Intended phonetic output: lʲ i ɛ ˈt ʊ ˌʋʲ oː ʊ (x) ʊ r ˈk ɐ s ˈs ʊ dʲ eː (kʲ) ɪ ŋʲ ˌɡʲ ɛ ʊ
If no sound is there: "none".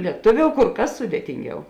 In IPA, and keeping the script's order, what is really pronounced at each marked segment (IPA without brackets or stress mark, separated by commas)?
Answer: k, tʲ